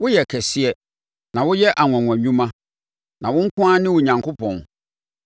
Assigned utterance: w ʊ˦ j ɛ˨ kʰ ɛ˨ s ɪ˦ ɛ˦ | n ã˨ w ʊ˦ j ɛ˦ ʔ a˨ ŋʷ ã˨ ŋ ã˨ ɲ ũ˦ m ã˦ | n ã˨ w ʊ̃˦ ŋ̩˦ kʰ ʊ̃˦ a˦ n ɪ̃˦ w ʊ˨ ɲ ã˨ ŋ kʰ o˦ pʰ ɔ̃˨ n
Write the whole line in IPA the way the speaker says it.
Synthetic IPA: w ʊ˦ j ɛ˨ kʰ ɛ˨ s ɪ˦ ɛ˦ | n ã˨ w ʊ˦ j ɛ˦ ʔ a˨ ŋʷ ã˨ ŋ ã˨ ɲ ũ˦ m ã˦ | n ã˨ w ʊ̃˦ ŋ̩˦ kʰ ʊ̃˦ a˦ n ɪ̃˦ w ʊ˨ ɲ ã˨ ŋ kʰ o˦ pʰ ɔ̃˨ n